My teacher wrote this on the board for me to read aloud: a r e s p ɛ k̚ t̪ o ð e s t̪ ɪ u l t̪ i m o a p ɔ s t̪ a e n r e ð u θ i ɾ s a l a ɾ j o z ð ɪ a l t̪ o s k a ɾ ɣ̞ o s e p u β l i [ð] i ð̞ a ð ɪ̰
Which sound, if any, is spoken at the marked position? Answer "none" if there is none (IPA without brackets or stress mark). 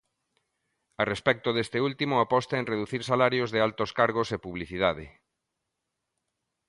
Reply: θ